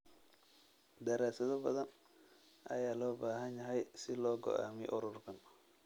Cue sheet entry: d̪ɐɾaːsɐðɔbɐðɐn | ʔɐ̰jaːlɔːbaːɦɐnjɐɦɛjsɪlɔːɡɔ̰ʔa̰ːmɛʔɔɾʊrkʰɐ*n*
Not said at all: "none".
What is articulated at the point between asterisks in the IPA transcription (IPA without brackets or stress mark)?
n